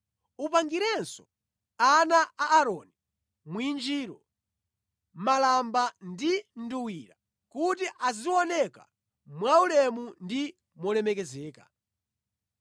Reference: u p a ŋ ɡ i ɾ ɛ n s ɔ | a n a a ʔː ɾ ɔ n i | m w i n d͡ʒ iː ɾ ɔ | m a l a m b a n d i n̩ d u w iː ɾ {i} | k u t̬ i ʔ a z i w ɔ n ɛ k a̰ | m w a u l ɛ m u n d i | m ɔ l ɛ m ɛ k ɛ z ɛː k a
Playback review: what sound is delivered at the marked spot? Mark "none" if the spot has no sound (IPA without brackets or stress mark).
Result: a